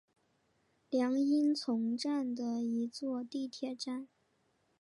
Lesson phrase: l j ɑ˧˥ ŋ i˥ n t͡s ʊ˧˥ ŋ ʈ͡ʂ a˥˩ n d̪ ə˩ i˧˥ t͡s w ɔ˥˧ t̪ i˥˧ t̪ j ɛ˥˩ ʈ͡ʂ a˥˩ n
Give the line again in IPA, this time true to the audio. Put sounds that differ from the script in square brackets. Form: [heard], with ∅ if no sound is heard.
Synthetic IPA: l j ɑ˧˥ ŋ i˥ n [t͡sʰ] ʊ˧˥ ŋ ʈ͡ʂ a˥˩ n d̪ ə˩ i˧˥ t͡s w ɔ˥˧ t̪ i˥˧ [t̪ʰ] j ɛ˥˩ ʈ͡ʂ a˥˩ n